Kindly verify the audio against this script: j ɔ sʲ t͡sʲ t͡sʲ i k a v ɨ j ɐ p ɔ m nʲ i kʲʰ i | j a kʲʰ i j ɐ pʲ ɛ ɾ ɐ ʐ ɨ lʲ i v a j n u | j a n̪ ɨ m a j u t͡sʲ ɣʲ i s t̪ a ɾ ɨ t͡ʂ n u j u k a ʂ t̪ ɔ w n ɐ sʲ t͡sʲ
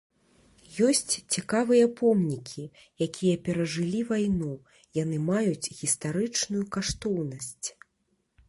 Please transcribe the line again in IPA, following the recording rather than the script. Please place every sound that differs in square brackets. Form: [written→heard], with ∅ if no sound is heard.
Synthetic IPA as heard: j ɔ sʲ t͡sʲ t͡sʲ i k a v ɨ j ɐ p ɔ m nʲ i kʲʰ i | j a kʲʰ i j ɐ pʲ ɛ ɾ ɐ ʐ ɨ lʲ i v a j n u | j a n̪ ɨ m a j u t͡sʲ ɣʲ i s t̪ a ɾ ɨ t͡ʂ n u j u k a ʂ t̪ ɔ w n ɐ sʲ t͡sʲ